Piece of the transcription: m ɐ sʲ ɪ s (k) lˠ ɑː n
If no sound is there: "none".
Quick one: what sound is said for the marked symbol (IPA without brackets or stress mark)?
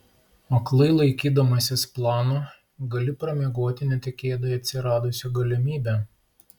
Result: p